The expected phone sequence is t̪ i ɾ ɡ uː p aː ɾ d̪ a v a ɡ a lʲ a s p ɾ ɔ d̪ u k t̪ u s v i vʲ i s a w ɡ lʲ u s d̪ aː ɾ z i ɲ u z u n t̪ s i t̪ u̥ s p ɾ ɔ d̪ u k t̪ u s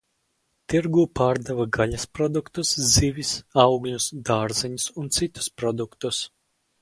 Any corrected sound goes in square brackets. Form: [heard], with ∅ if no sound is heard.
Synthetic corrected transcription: t̪ i ɾ ɡ uː p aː ɾ d̪ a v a ɡ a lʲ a s p ɾ ɔ d̪ u k t̪ u s [z] i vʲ i s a w ɡ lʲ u s d̪ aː ɾ z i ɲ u [s] u n t̪ s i t̪ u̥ s p ɾ ɔ d̪ u k t̪ u s